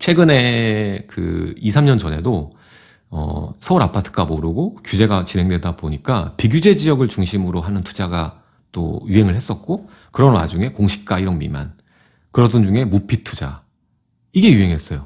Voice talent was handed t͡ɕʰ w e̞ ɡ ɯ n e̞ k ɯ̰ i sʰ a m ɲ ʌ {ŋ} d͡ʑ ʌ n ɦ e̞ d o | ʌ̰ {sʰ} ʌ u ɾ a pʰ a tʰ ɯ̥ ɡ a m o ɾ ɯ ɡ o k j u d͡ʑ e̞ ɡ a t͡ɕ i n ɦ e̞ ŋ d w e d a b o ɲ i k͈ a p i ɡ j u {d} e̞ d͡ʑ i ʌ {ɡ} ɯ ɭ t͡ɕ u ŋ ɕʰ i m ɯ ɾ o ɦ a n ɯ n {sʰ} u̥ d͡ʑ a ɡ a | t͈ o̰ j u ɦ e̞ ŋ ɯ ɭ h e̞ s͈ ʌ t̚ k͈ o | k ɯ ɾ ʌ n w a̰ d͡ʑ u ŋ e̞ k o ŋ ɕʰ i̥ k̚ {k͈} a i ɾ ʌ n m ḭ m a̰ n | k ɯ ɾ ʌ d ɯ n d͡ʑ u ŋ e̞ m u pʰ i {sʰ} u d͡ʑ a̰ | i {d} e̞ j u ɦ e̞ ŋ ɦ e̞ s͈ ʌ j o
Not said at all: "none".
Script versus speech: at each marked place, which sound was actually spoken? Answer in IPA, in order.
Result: n, sʰ, d͡ʑ, ɡ, tʰ, k͈, tʰ, ɡ

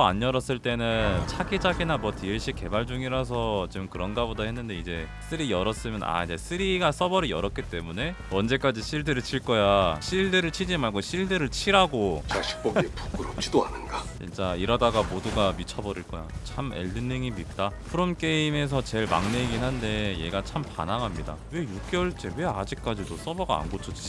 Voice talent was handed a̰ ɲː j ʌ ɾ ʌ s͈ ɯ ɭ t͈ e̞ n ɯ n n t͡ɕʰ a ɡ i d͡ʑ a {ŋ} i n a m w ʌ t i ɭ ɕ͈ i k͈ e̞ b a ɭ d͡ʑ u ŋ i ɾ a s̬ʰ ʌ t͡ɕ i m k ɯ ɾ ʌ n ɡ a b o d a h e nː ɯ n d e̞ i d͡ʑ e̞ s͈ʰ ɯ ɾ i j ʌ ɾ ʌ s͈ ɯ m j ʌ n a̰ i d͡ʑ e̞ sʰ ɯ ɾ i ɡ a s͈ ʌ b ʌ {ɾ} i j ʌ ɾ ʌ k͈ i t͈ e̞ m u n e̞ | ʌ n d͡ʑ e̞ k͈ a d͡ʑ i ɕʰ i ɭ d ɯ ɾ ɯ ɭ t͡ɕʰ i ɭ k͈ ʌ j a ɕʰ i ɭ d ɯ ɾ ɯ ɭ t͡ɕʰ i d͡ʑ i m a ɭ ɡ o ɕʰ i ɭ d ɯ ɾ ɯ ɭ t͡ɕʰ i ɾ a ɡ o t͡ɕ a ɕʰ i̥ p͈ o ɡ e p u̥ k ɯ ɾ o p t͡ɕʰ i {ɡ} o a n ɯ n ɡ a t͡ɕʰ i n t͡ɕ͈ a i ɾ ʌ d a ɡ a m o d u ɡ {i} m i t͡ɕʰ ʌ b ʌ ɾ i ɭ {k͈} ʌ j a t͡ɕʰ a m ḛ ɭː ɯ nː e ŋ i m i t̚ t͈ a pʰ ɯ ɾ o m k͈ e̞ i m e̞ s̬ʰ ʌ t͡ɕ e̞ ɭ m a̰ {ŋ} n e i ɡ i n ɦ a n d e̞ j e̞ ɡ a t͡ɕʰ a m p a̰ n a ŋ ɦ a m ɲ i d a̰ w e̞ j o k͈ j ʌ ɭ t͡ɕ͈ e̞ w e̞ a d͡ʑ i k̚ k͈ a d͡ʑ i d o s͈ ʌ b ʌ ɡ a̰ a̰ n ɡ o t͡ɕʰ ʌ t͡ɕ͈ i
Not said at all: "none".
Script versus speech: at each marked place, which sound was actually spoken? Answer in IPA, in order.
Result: ɡ, ɾ, d, a, k͈, ŋ

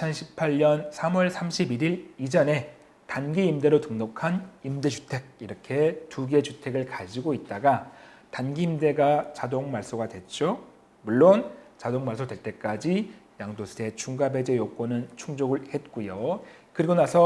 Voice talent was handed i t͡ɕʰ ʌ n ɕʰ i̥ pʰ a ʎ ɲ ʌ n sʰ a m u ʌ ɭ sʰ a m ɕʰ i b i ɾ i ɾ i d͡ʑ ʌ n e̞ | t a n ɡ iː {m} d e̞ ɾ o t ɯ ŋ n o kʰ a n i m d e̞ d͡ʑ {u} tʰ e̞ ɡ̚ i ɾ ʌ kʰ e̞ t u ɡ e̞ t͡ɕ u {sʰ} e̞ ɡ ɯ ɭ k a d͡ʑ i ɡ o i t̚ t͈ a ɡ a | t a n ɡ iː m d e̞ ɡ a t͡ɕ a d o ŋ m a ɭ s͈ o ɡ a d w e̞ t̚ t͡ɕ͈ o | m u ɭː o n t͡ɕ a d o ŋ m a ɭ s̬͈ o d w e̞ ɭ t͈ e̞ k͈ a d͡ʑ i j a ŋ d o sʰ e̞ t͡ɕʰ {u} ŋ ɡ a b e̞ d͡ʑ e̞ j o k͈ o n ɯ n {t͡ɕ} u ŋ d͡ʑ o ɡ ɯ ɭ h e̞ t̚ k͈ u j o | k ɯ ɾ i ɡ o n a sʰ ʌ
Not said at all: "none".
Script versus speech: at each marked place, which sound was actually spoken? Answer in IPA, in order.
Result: m, u, tʰ, u, t͡ɕʰ

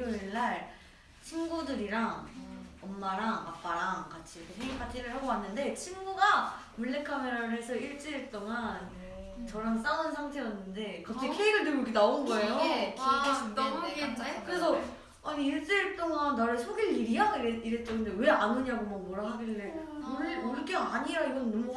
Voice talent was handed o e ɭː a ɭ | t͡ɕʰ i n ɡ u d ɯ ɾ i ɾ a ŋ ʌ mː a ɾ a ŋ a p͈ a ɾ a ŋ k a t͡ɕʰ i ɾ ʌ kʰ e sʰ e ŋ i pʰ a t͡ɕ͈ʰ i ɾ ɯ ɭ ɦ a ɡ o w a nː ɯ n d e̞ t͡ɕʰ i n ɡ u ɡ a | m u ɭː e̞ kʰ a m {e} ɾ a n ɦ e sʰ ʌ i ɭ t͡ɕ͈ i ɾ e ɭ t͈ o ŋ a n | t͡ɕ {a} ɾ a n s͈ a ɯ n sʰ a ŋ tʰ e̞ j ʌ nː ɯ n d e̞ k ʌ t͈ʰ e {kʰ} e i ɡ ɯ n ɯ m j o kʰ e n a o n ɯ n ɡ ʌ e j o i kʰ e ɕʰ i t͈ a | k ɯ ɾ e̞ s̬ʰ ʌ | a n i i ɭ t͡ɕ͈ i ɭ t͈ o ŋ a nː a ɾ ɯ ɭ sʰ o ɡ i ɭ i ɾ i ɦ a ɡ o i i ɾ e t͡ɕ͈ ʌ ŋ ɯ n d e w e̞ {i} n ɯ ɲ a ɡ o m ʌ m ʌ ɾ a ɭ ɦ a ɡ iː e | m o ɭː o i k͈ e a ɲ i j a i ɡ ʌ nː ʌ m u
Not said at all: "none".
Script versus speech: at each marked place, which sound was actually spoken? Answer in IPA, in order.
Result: e, ʌ, kʰ, a

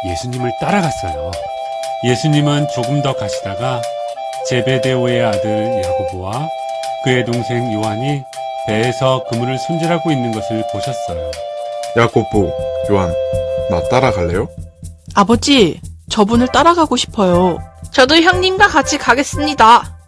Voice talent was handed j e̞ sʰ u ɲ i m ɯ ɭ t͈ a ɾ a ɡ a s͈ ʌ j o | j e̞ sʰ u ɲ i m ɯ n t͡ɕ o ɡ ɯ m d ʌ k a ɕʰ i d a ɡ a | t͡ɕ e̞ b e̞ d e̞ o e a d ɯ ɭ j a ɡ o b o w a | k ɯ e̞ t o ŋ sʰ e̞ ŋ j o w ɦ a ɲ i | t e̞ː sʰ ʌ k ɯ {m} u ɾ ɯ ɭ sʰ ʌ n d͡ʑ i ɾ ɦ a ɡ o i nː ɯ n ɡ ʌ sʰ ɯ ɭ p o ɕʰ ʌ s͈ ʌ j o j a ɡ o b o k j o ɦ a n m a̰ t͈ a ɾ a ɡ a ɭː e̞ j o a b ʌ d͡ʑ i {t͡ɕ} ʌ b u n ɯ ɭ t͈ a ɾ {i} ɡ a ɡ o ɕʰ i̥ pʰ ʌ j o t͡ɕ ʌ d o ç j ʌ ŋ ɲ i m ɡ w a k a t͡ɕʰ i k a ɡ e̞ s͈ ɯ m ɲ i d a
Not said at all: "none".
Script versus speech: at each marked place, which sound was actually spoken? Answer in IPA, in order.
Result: m, t͡ɕ, a

